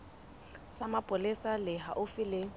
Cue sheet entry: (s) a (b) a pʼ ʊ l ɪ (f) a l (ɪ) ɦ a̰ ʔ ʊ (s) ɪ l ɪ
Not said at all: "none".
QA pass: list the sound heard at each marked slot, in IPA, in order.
s, m, s, ɪ, f

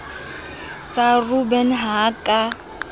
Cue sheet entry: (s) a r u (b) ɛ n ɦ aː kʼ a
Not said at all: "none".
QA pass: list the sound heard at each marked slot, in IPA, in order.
s, b

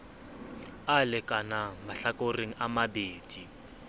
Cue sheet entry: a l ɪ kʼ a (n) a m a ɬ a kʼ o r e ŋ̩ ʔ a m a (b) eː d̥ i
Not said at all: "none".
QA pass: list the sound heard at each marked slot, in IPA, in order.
n, b

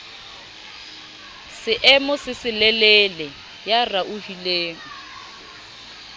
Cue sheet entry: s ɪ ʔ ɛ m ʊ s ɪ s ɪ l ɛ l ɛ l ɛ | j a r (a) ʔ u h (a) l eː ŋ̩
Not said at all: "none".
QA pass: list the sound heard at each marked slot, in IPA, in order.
a, i

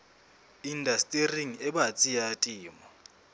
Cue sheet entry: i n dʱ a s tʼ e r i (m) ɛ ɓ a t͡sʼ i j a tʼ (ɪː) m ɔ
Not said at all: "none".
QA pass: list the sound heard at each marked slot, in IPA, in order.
ŋ, iː

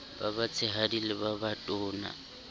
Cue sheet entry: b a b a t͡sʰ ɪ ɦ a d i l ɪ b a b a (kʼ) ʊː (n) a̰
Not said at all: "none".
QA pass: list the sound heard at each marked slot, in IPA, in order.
tʼ, n

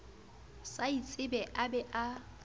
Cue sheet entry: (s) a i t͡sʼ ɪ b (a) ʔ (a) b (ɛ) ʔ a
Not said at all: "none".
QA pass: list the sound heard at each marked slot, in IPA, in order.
s, ɛ, a, ɛ

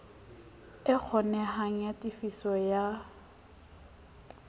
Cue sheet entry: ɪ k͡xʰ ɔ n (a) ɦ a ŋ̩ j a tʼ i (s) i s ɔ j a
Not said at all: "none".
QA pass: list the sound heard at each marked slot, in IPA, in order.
ɛ, f

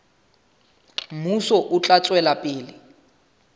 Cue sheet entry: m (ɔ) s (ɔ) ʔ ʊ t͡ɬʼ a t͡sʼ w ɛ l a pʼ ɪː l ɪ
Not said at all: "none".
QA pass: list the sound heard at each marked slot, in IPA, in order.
u, ɔ

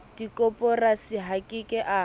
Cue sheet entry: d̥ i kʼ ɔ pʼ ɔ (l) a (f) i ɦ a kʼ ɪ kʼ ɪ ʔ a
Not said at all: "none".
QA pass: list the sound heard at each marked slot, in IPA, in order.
r, s

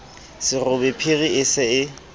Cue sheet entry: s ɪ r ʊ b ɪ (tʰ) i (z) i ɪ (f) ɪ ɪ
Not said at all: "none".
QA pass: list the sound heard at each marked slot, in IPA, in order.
pʰ, ɣ, s

